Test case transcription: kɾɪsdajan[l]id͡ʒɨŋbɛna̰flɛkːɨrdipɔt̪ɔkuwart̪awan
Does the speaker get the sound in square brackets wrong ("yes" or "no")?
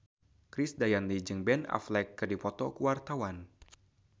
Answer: no